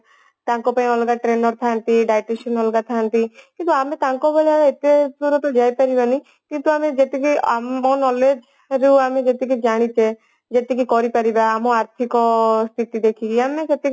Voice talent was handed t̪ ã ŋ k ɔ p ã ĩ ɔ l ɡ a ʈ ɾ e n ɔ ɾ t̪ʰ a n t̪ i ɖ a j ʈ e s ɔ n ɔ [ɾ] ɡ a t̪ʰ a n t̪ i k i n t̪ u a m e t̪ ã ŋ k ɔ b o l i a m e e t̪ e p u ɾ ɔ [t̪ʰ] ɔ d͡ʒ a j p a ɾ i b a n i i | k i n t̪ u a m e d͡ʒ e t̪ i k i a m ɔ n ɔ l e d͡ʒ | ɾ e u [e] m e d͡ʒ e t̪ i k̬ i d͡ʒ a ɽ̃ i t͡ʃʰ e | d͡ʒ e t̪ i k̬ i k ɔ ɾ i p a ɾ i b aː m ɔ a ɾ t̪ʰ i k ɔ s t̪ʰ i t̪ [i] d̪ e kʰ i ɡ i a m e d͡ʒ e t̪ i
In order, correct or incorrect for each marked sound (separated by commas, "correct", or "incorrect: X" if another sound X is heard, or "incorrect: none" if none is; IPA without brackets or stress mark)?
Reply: incorrect: l, incorrect: t̪, incorrect: a, correct